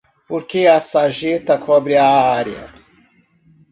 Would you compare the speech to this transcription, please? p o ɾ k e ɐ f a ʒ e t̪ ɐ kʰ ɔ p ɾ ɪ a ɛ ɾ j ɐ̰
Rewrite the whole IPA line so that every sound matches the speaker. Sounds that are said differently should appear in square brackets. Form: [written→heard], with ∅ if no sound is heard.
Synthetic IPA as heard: p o ɾ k e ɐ [f→s] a ʒ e t̪ ɐ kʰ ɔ [p→b] ɾ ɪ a [ɛ→a] ɾ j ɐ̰

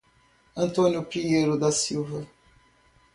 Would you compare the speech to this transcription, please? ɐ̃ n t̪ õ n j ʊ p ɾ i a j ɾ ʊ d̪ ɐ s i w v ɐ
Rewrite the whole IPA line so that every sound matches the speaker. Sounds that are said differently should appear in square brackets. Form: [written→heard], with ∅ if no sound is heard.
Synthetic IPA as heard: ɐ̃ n t̪ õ n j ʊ p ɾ i [a→e] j ɾ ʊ d̪ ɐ s i w v ɐ

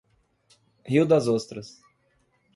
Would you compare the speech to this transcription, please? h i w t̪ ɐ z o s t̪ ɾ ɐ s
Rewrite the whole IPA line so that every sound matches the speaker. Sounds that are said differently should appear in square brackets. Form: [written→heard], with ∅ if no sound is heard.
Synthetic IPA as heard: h i w [t̪→d̪] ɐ z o s t̪ ɾ ɐ s

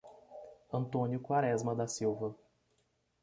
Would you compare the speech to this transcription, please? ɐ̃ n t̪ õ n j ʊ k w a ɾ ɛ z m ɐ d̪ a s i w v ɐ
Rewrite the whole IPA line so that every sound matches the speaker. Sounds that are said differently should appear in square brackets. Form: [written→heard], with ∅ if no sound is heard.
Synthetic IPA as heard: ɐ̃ n t̪ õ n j ʊ k w a ɾ ɛ z m ɐ d̪ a s i w v ɐ

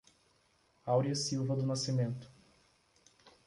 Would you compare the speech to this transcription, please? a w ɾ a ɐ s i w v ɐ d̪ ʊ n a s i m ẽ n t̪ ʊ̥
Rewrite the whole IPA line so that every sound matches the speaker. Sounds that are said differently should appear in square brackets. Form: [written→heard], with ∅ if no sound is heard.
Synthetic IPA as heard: a w ɾ [a→i] ɐ s i w v ɐ d̪ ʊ n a s i m ẽ n t̪ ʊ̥

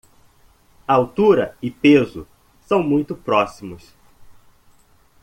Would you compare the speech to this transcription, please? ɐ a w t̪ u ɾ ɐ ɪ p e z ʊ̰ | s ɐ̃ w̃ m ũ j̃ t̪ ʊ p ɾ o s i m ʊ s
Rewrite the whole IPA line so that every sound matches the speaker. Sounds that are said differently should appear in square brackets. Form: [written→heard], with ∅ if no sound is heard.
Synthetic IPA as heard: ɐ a w t̪ u ɾ ɐ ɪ p e z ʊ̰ | s ɐ̃ w̃ m ũ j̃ t̪ ʊ p ɾ [o→ɔ] s i m ʊ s

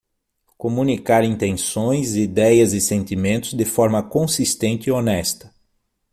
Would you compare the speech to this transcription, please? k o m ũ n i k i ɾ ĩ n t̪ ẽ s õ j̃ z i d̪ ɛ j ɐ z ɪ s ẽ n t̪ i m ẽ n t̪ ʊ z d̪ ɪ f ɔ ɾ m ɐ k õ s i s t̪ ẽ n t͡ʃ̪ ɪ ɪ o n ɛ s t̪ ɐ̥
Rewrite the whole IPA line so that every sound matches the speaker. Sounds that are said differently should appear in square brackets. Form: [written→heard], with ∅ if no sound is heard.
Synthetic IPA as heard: k o m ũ n i k [i→a] ɾ ĩ n t̪ ẽ s õ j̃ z i d̪ ɛ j ɐ z ɪ s ẽ n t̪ i m ẽ n t̪ ʊ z d̪ ɪ f ɔ ɾ m ɐ k õ s i s t̪ ẽ n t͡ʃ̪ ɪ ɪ o n ɛ s t̪ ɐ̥

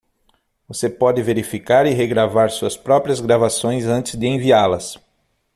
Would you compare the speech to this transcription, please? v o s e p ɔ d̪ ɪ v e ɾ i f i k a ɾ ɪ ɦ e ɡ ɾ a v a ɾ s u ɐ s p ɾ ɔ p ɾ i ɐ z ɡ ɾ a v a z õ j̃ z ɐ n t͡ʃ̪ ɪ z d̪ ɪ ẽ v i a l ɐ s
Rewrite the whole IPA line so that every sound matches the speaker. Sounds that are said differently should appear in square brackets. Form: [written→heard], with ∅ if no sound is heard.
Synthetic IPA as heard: v o s e p ɔ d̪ ɪ v e ɾ i f i k a ɾ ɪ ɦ e ɡ ɾ a v a ɾ s u ɐ s p ɾ ɔ p ɾ i ɐ z ɡ ɾ a v a [z→s] õ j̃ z [ɐ→ɐ̃] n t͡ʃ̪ ɪ z d̪ ɪ ẽ v i a l ɐ s

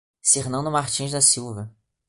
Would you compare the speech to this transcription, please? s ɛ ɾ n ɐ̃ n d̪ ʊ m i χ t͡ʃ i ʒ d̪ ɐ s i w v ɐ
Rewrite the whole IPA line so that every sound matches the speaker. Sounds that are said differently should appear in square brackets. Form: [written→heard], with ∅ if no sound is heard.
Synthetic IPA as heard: s [ɛ→e] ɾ n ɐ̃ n d̪ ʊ m [i→a] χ t͡ʃ [i→ĩ] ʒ d̪ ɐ s i w v ɐ

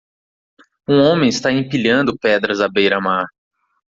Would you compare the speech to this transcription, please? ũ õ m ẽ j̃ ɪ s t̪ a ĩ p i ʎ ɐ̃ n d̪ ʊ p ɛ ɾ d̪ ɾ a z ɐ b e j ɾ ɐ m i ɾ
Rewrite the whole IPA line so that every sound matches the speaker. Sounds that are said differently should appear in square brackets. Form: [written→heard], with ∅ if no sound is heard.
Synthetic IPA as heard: ũ õ m ẽ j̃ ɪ s t̪ a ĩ p i ʎ ɐ̃ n d̪ ʊ p ɛ [ɾ→∅] d̪ ɾ [a→ɐ] z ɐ b e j ɾ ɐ m [i→a] ɾ

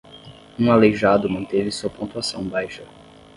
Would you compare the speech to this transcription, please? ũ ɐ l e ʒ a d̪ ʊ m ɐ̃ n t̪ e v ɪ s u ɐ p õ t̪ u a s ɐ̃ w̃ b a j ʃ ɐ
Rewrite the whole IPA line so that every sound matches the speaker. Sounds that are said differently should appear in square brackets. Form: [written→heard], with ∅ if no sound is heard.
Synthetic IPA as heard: ũ [ɐ→a] l e ʒ a d̪ ʊ m ɐ̃ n t̪ e v ɪ s u ɐ p õ t̪ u a s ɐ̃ w̃ b a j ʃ ɐ

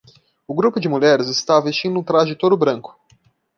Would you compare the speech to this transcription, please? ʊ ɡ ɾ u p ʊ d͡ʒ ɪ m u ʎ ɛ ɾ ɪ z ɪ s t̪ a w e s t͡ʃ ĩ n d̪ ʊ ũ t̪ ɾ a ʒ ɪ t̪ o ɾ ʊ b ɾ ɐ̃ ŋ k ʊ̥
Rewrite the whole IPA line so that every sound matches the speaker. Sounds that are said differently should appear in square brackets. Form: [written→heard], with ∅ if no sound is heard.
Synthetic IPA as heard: ʊ ɡ ɾ u p ʊ d͡ʒ ɪ m u ʎ ɛ ɾ ɪ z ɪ s t̪ a [w→v] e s t͡ʃ ĩ n d̪ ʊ ũ t̪ ɾ a ʒ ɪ t̪ o ɾ ʊ b ɾ ɐ̃ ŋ k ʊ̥

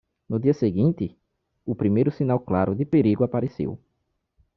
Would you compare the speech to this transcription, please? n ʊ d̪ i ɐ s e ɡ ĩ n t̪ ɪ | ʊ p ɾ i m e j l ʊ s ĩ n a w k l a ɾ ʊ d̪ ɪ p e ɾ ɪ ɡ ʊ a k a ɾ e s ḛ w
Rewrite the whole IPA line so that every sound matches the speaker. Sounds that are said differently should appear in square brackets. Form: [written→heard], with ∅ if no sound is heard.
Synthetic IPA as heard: n ʊ d̪ i ɐ s e ɡ ĩ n t̪ ɪ | ʊ p ɾ i m e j [l→ɾ] ʊ s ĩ n a w k l a ɾ ʊ d̪ ɪ p e ɾ [ɪ→i] ɡ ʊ a [k→p] a ɾ e s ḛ w

